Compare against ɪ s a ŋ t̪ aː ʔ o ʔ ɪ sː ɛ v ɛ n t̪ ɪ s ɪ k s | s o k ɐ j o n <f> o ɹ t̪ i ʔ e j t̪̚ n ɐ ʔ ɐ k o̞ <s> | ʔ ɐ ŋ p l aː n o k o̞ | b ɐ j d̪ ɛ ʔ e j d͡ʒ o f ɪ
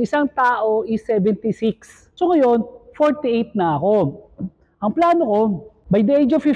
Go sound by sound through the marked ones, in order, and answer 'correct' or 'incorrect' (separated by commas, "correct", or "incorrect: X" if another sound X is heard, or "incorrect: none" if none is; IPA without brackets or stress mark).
correct, incorrect: none